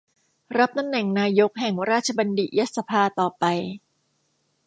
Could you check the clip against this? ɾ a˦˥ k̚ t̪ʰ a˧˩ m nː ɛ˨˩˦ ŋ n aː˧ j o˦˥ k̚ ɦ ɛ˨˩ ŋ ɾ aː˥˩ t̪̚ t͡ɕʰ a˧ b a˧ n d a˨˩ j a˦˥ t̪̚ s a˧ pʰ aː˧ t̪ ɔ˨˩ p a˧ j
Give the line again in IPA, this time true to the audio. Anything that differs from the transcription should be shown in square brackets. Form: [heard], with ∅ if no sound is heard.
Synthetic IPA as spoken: ɾ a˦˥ [p̚] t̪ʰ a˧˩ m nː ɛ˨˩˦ ŋ n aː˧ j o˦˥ k̚ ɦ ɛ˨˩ ŋ ɾ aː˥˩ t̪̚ t͡ɕʰ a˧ b a˧ n d [i˨˩] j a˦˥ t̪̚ s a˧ pʰ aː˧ t̪ [ɔː˨˩] p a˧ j